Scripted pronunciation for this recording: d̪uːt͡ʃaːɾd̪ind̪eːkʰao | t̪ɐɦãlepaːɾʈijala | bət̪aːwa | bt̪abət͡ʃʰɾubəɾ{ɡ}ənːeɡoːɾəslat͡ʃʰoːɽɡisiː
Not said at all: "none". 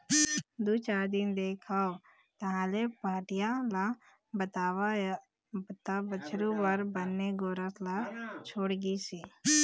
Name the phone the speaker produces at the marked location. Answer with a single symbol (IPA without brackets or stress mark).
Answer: b